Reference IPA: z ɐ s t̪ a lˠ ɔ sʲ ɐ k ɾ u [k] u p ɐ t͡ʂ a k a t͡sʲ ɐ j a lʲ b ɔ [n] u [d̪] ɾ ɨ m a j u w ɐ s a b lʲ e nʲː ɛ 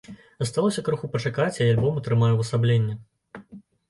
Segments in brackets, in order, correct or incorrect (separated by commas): incorrect, incorrect, incorrect